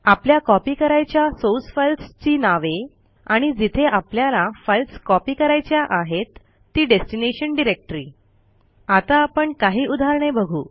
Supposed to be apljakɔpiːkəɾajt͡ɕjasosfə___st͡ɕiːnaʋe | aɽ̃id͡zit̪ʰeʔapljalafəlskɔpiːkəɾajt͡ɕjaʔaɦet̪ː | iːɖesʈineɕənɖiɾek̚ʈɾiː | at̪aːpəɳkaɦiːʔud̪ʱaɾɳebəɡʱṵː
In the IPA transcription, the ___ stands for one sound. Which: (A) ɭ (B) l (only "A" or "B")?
B